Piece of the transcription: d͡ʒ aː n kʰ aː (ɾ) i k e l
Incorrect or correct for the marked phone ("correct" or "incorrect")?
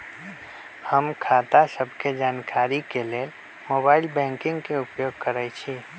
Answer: correct